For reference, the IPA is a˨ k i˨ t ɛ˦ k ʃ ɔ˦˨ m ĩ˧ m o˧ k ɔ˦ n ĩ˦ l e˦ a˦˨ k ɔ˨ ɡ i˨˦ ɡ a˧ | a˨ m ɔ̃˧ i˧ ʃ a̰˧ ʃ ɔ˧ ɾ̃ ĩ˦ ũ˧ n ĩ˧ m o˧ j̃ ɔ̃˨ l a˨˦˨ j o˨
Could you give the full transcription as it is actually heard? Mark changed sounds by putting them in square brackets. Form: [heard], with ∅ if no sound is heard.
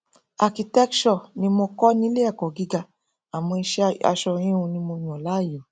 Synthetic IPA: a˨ k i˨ t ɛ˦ k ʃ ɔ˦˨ [n] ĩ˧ m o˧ k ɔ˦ n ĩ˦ l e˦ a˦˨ k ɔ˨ ɡ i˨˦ ɡ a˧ | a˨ m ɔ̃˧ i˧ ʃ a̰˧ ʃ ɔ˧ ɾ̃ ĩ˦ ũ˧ n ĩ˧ m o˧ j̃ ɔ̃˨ l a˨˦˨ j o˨